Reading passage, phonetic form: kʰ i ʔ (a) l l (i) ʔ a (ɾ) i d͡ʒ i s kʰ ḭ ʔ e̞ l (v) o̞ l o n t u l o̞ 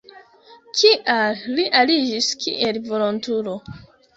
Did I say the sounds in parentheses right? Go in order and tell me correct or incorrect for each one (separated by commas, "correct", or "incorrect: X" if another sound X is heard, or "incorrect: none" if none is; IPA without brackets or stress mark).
correct, correct, incorrect: l, correct